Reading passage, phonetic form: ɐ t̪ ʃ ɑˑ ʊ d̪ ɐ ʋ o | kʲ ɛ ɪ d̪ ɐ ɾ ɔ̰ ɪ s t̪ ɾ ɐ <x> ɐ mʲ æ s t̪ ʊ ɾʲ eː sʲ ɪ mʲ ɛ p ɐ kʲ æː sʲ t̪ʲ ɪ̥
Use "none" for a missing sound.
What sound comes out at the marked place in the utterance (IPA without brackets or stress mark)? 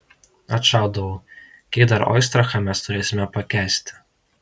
x